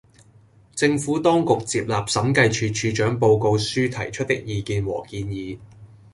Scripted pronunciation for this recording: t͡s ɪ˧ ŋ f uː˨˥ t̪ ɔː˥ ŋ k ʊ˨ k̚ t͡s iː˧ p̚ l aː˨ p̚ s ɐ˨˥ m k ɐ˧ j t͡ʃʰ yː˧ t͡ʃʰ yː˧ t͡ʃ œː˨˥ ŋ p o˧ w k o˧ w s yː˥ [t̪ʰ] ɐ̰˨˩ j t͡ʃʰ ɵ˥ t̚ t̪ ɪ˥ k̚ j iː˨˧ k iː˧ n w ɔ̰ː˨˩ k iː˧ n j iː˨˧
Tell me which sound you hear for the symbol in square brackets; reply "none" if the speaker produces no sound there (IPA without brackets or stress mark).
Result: t̪ʰ